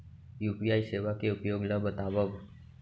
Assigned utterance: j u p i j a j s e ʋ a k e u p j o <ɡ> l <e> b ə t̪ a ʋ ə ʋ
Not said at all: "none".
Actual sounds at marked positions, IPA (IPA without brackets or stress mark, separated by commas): ɡ, a